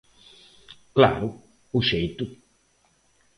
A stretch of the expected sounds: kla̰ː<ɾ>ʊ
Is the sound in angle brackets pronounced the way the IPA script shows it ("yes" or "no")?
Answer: yes